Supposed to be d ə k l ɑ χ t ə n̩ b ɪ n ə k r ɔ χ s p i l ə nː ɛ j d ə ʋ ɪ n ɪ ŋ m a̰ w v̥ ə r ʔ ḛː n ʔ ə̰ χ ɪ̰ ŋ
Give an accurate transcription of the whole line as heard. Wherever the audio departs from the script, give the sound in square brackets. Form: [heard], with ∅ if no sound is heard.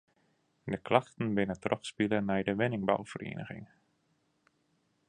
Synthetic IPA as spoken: d ə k l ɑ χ t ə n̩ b ɪ n ə [t] r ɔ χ s p i l ə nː ɛ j d ə ʋ ɪ n ɪ ŋ [b] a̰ w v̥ ə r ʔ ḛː n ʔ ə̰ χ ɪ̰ ŋ